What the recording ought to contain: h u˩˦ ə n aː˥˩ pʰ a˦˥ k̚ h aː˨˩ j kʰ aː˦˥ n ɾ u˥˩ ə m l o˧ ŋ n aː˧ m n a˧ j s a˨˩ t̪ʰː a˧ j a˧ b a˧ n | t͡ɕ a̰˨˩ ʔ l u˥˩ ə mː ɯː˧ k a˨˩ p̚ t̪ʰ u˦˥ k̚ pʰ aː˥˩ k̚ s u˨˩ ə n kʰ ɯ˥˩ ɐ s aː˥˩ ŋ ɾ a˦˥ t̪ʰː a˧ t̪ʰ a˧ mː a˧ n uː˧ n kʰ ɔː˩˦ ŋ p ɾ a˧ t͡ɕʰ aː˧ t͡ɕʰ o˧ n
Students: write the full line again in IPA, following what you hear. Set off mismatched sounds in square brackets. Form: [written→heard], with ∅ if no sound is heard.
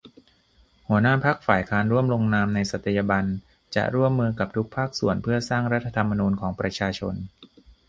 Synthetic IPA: h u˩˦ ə n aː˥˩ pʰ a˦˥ k̚ [h→f] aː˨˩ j kʰ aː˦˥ n ɾ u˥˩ ə m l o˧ ŋ n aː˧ m n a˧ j s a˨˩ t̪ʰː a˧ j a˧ b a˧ n | t͡ɕ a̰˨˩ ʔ [l→ɾ] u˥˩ ə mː ɯː˧ k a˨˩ p̚ t̪ʰ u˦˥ k̚ pʰ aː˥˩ k̚ s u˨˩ ə n [kʰ→pʰ] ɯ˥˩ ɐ s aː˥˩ ŋ ɾ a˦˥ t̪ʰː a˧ t̪ʰ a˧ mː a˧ n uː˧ n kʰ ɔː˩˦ ŋ p ɾ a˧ t͡ɕʰ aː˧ t͡ɕʰ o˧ n

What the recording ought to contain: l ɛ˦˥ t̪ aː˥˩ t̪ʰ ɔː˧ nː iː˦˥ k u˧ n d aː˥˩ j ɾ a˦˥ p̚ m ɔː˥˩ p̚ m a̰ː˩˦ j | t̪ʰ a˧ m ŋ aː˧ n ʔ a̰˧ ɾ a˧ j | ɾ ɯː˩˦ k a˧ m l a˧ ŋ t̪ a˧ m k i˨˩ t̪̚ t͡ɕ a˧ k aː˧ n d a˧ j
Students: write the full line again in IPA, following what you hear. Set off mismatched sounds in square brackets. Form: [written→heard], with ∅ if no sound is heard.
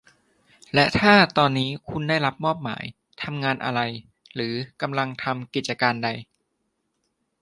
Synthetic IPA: l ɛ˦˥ [t̪→t̪ʰ] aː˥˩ [t̪ʰ→t̪] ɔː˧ nː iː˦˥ [k→kʰ] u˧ n d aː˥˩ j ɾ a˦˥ p̚ m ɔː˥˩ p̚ m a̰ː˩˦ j | t̪ʰ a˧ m ŋ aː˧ n ʔ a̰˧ ɾ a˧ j | ɾ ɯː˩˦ k a˧ m l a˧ ŋ [t̪→t̪ʰ] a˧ m k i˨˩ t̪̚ t͡ɕ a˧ k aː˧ n d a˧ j

